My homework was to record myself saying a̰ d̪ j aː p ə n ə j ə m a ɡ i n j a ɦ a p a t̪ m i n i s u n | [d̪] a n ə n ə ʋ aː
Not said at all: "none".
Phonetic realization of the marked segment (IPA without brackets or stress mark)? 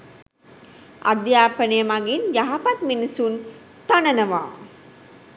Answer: t̪